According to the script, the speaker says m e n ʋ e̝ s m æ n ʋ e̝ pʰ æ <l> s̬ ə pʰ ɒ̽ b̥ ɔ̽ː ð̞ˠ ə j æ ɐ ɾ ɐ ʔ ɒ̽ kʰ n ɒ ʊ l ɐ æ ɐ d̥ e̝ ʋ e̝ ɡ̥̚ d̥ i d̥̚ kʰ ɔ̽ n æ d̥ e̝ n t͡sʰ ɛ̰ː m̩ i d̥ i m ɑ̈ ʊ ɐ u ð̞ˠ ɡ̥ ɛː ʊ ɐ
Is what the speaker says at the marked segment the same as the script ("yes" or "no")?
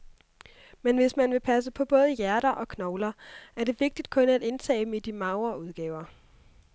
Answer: no